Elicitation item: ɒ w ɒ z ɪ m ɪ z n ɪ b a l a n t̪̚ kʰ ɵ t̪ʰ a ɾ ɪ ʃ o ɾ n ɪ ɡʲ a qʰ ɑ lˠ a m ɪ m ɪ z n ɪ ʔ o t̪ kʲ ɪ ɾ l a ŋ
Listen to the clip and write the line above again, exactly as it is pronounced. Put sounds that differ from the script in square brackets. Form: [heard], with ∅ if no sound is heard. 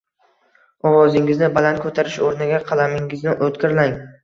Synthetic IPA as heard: ɒ w ɒ z ɪ [ŋ] ɪ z n ɪ b a l a n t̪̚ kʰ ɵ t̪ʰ a ɾ ɪ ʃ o ɾ n ɪ ɡʲ a qʰ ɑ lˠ a m ɪ [ŋ] ɪ z n ɪ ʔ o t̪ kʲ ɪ ɾ l a ŋ